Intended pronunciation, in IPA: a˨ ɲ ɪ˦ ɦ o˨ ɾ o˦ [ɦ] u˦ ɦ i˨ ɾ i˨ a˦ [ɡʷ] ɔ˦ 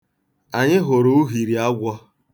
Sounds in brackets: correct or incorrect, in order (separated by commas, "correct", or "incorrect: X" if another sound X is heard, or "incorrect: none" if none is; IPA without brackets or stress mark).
incorrect: none, correct